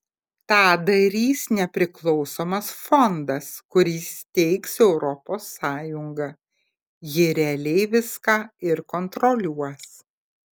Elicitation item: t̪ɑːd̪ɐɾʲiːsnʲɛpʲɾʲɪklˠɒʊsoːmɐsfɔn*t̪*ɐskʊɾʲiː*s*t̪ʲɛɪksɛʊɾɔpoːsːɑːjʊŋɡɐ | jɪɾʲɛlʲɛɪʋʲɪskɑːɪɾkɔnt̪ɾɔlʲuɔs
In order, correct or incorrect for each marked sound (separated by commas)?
incorrect, correct